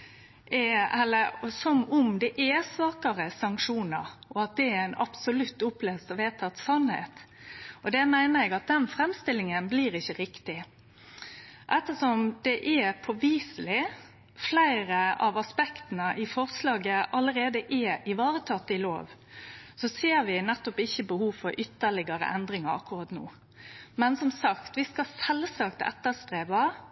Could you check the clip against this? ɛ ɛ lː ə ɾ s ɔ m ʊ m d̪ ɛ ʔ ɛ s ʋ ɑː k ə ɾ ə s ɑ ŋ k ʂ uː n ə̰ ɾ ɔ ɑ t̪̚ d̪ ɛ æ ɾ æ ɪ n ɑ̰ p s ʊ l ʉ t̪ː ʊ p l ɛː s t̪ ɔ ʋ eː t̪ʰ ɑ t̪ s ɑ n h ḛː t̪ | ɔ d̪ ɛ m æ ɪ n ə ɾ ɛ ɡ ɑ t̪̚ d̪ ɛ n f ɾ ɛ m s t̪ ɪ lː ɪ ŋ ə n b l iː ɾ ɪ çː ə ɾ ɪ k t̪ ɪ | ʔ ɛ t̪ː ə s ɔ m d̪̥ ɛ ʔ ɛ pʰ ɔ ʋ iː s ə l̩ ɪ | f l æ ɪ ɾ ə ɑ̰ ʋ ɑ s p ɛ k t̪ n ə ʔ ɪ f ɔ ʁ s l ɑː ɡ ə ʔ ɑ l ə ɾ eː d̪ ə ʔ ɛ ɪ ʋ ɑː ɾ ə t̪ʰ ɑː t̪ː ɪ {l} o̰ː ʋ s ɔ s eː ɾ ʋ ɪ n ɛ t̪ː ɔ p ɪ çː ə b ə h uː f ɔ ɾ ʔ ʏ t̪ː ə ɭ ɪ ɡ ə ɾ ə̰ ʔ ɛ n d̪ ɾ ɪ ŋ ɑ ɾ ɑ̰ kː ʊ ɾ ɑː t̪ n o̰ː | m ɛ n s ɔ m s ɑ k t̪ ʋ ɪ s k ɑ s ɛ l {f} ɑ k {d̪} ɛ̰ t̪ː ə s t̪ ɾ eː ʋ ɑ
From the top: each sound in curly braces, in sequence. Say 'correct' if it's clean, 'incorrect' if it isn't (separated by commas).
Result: correct, incorrect, incorrect